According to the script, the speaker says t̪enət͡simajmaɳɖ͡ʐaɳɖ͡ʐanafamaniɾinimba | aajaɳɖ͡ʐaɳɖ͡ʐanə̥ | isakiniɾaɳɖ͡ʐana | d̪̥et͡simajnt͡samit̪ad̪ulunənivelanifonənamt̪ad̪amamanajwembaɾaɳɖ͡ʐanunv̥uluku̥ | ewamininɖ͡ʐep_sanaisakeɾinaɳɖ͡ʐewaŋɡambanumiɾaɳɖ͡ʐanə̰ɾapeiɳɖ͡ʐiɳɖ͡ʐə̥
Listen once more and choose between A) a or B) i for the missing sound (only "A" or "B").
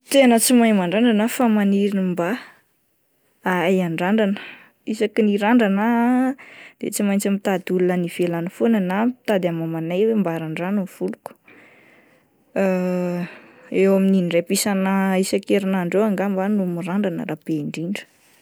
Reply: B